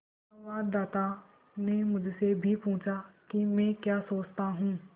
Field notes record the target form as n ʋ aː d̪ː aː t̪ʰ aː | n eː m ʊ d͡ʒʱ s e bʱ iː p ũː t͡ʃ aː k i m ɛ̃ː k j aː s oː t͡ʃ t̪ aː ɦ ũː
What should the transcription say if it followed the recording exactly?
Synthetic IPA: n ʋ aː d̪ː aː t̪ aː | n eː m ʊ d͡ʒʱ s e bʱ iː p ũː t͡ʃ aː k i m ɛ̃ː k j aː s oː t͡ʃ t̪ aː ɦ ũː